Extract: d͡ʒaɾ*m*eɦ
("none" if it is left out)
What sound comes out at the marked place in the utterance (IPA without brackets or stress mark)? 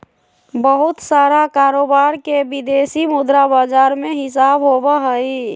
m